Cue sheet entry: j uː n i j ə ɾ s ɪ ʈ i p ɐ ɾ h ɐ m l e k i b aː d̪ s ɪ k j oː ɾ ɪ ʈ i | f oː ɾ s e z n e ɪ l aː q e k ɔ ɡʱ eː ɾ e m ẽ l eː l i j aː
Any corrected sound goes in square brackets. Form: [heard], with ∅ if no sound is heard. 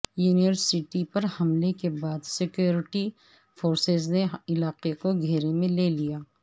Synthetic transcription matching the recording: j uː n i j ə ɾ s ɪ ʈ i p ɐ ɾ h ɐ m l e k [e] b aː d̪ s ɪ k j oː ɾ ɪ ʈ i | f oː ɾ s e z n e ɪ l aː q e k [o] ɡʱ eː ɾ e m ẽ l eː l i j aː